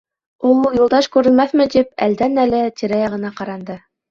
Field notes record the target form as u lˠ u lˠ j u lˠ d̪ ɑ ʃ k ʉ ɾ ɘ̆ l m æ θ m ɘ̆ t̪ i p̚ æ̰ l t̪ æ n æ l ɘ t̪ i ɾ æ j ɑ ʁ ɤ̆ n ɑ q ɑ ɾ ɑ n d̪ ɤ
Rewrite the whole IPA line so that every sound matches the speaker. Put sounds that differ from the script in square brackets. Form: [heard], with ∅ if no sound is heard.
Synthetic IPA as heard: u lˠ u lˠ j u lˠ d̪ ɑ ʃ k ʉ ɾ ɘ̆ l m æ θ m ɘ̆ t̪ i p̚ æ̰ l [d̪] æ n æ l ɘ t̪ i ɾ æ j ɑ ʁ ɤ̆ n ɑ q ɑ ɾ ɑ n d̪ ɤ